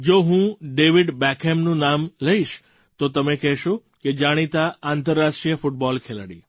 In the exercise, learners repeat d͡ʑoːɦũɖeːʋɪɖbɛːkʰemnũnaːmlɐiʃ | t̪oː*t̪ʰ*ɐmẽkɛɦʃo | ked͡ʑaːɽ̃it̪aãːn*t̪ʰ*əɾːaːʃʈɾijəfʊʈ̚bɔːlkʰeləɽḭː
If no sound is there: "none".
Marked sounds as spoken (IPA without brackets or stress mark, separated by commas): t̪, t̪